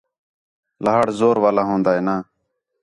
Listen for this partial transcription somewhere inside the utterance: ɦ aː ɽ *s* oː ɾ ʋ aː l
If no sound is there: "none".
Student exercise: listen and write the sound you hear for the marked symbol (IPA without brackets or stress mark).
z